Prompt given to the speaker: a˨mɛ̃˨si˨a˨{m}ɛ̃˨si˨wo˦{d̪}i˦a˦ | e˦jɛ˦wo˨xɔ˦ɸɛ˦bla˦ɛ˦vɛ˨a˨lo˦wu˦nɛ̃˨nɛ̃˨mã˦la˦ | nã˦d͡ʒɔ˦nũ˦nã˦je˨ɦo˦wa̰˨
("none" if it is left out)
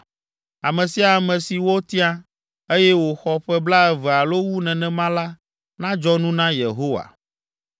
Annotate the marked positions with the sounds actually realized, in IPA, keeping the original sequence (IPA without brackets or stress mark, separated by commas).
m, t̪